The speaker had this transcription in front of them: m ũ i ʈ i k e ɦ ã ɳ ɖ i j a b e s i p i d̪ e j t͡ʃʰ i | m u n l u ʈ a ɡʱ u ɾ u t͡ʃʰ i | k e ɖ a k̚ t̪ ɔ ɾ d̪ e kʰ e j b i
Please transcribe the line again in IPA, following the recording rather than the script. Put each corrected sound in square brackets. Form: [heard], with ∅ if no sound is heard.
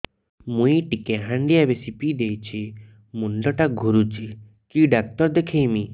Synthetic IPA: m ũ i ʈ i k e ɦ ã ɳ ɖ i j a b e s i p i d̪ e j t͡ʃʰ i | m u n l [ɔ] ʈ a ɡʱ u ɾ u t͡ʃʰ i | k [i] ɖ a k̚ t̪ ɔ ɾ d̪ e kʰ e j [m] i